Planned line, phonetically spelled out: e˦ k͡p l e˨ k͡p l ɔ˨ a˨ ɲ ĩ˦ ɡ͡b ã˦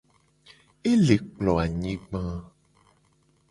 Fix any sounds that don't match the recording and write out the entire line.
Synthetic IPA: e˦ l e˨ k͡p l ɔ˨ a˨ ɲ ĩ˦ ɡ͡b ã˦